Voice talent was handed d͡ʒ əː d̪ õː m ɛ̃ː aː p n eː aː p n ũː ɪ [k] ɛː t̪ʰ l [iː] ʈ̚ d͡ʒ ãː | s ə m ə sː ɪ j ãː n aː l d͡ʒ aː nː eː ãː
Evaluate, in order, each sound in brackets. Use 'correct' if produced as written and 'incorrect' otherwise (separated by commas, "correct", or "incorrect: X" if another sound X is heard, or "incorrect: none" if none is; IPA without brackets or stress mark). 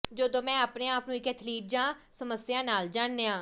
correct, correct